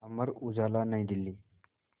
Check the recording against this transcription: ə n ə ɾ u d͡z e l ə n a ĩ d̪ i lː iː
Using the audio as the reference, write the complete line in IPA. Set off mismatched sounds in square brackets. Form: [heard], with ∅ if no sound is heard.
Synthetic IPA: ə [m] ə ɾ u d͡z [a] l [a] n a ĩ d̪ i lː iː

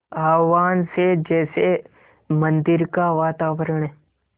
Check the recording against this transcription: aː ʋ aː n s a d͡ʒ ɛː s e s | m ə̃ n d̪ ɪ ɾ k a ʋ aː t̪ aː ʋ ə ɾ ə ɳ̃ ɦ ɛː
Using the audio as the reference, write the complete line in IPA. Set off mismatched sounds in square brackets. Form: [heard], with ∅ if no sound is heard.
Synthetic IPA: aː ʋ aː n s [e] d͡ʒ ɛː s e [∅] | m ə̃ n d̪ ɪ ɾ k a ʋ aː t̪ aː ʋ ə ɾ ə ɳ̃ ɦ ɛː

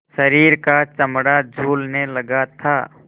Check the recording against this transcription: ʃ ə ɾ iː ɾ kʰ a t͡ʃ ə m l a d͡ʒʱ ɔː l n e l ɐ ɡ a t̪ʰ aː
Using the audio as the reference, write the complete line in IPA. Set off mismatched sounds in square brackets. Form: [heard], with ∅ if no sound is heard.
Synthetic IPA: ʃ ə ɾ iː ɾ [k] a t͡ʃ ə m [ɽ] a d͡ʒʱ [uː] l n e l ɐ ɡ a t̪ʰ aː

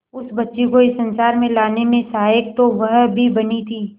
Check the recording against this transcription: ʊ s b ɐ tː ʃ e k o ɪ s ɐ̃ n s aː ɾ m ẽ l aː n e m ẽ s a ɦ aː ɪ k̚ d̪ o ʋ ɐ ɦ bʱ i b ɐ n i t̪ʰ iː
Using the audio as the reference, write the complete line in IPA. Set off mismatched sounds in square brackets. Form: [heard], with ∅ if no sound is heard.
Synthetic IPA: ʊ s b ɐ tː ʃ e k o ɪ s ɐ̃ n s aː ɾ m ẽ l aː n e m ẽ s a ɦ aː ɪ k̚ [t̪] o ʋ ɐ ɦ bʱ i b ɐ n i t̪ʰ iː

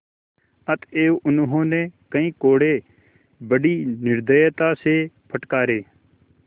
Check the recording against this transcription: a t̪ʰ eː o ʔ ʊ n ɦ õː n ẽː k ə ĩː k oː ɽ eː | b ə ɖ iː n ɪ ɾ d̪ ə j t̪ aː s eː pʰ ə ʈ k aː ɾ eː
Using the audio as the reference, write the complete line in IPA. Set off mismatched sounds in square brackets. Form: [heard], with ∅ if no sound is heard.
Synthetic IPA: [ə] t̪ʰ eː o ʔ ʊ n ɦ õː n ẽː k ə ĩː k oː ɽ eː | b ə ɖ iː n ɪ ɾ d̪ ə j t̪ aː s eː pʰ ə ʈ k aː ɾ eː

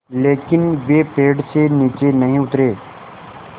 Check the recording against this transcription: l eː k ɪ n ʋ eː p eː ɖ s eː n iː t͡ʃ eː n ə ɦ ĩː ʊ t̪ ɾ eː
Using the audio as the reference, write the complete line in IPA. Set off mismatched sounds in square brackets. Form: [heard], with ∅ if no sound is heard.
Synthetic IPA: l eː k ɪ n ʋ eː p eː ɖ s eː n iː t͡ʃ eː n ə ɦ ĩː ʊ t̪ ɾ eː

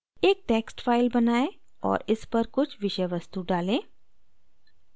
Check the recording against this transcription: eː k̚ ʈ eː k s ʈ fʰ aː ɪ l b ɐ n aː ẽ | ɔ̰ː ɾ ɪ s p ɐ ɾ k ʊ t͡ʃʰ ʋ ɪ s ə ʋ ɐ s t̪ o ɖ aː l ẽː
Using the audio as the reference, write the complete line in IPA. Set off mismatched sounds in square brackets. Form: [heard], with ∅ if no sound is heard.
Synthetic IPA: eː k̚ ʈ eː k s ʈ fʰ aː ɪ l b ɐ n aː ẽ | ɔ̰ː ɾ ɪ s p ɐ ɾ k ʊ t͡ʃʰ ʋ ɪ [ʃ] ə ʋ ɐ s t̪ [u] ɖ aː l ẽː

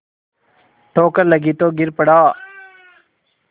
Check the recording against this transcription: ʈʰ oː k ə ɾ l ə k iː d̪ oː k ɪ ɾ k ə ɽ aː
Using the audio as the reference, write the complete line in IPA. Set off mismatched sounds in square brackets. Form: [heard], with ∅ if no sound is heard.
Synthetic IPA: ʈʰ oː k ə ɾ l ə [ɡ] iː [t̪] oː [ɡ] ɪ ɾ [p] ə ɽ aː

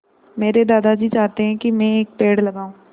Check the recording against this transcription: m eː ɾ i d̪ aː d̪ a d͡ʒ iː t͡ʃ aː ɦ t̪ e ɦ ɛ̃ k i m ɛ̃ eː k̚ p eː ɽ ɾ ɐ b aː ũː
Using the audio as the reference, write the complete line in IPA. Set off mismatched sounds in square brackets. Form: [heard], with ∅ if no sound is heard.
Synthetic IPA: m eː ɾ [e] d̪ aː d̪ a d͡ʒ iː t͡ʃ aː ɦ t̪ e ɦ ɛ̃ k i m ɛ̃ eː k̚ p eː ɽ [l] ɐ [ɡ] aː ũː

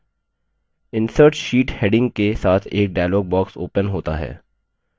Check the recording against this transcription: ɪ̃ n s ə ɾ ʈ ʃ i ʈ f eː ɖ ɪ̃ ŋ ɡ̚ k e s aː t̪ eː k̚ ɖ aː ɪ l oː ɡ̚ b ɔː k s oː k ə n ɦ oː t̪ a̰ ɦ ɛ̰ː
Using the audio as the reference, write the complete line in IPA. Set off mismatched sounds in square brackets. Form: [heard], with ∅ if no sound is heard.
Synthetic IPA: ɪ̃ n s ə ɾ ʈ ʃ [iː] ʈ [h] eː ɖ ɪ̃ ŋ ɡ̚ k e s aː [t̪ʰ] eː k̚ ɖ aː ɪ l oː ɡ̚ b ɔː k s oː [p] ə n ɦ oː t̪ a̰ ɦ ɛ̰ː

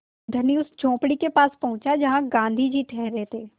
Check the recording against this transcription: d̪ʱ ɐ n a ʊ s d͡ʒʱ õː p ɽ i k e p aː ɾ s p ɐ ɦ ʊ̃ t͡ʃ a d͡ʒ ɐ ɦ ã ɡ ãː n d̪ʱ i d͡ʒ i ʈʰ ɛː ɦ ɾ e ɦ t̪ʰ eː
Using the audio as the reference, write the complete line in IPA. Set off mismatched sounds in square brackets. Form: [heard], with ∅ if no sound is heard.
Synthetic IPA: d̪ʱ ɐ n [i] ʊ s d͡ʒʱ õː p ɽ i k e p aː [∅] s p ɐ ɦ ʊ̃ t͡ʃ a d͡ʒ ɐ ɦ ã ɡ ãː n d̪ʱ i d͡ʒ i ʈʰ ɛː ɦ ɾ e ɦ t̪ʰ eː

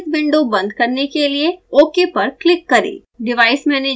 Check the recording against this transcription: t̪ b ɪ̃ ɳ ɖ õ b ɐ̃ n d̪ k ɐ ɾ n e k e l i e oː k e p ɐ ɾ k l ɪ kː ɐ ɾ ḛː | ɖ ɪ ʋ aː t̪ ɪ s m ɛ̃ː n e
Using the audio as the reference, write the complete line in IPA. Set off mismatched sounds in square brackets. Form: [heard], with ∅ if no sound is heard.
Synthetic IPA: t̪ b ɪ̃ ɳ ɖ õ b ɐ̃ n d̪ k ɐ ɾ n e k e l i e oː k e p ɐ ɾ k l ɪ kː ɐ ɾ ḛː | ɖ ɪ ʋ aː [∅] ɪ s m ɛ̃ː n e

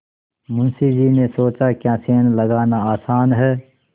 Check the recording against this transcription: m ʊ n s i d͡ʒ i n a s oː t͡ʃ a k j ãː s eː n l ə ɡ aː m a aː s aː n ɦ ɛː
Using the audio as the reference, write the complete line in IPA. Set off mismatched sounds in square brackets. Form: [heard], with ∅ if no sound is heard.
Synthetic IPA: m ʊ n s i d͡ʒ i n [e] s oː t͡ʃ a k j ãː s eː n l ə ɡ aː [n] a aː s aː n ɦ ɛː

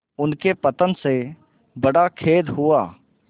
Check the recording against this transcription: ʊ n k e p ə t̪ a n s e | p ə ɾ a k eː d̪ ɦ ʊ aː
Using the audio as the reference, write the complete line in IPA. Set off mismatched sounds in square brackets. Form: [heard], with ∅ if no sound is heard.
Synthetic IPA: ʊ n k e p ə t̪ [ə] n s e | [b] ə [ɽ] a [kʰ] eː d̪ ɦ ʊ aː

